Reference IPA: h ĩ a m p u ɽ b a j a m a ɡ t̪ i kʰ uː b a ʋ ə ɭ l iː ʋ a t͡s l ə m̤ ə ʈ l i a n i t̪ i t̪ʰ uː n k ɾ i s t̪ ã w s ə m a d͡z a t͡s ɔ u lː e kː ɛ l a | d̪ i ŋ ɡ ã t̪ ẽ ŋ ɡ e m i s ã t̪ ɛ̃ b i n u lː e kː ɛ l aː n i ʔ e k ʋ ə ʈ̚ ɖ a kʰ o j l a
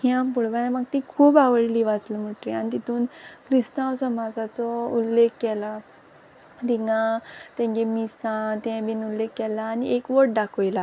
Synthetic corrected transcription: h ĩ a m p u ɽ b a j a m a ɡ t̪ i kʰ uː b a ʋ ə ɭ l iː ʋ a t͡s l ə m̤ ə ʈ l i a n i t̪ i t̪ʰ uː n k ɾ i s t̪ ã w s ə m a d͡z a t͡s ɔ u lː e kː ɛ l a | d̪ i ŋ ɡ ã t̪ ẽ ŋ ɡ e m i s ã t̪ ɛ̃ b i n u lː e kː ɛ l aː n i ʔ e k ʋ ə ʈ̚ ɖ a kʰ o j l a